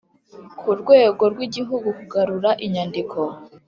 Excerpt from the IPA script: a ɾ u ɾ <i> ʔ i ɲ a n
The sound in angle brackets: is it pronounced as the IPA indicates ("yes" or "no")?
no